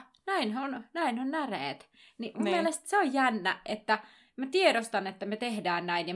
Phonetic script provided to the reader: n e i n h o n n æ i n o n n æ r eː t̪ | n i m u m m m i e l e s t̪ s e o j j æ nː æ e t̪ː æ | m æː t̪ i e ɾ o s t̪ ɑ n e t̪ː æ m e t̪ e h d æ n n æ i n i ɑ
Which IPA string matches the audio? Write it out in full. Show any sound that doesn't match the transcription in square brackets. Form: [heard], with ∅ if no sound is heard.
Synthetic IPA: n [æ] i n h o n n æ i n o n n æ r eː t̪ | n i m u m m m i e l e s t̪ s e o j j æ nː æ e t̪ː æ | m [æ] t̪ i e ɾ o s t̪ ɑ n e t̪ː æ m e t̪ e h d [æː] n n æ i n [j] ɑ